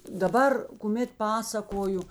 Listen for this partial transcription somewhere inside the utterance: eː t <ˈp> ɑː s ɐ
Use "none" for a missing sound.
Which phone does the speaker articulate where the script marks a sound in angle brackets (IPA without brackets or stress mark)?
p